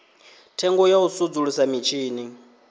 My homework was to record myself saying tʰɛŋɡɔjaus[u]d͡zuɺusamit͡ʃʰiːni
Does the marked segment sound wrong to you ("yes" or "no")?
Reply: no